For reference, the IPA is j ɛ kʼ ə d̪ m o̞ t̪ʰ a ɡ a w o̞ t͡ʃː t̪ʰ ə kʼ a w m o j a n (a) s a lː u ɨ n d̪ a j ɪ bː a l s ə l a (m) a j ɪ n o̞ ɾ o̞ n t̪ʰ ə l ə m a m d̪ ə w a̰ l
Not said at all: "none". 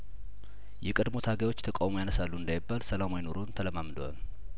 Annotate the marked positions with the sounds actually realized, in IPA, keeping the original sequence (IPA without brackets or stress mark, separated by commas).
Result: ə, m